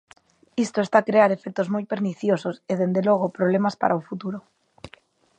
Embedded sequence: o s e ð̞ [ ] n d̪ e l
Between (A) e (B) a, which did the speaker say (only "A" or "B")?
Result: A